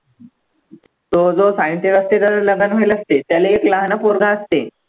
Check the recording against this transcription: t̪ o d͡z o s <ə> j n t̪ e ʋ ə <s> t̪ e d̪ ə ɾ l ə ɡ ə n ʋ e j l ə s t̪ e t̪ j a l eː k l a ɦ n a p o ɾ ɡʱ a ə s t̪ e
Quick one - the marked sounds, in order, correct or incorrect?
incorrect: a, correct

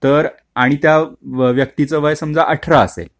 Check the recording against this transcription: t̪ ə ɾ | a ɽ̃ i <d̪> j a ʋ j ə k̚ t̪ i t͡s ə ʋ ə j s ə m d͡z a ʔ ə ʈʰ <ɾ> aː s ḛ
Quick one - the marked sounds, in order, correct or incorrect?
incorrect: t̪, correct

